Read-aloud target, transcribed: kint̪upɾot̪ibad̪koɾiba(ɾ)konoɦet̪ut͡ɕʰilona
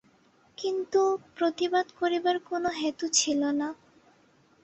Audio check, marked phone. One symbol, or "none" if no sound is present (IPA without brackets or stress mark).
ɾ